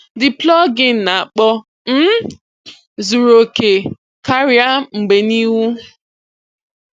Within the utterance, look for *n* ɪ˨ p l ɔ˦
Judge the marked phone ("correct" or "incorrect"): incorrect